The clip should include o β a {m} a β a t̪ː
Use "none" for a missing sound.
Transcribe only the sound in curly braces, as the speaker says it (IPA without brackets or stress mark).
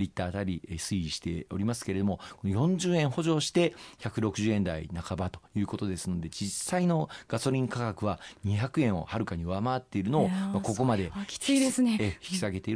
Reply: m